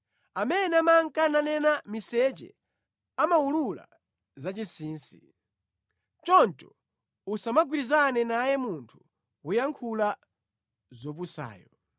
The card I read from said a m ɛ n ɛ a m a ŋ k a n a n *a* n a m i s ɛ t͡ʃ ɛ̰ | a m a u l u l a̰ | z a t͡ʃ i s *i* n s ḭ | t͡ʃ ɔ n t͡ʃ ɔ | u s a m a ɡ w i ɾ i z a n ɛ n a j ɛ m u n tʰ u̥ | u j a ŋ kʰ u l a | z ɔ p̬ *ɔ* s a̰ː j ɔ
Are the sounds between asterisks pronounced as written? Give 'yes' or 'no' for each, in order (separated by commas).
no, no, no